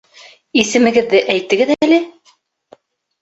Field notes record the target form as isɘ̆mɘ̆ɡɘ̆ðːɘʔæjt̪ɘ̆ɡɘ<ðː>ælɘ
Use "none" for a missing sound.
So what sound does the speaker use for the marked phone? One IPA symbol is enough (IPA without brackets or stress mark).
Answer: ð